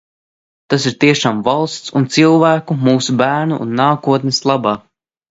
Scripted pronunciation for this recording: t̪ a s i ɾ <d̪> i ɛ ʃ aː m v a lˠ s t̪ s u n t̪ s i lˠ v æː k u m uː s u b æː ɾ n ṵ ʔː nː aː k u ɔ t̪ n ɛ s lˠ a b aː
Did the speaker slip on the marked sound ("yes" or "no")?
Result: yes